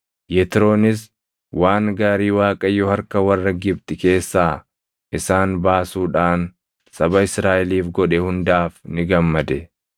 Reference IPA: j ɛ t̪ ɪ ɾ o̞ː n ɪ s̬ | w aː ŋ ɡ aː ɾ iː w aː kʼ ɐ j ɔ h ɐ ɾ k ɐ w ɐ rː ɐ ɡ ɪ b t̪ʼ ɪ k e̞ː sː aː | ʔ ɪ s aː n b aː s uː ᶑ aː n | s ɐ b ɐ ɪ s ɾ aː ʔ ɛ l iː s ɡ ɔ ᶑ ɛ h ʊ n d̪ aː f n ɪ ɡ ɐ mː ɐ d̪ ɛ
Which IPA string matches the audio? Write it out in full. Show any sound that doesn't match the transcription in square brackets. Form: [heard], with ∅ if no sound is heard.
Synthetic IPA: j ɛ t̪ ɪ ɾ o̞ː n ɪ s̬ | w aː ŋ ɡ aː ɾ iː w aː kʼ ɐ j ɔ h ɐ ɾ k ɐ w ɐ rː ɐ ɡ ɪ b [t̪] ɪ k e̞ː sː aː | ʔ ɪ s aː n b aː s uː ᶑ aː n | s ɐ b ɐ ɪ s ɾ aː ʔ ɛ l iː [f] ɡ ɔ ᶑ ɛ h ʊ n d̪ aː f n ɪ ɡ ɐ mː ɐ d̪ ɛ